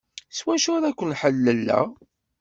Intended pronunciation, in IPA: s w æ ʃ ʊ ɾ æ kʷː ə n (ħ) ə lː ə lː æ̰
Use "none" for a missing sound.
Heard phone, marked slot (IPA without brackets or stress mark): ħ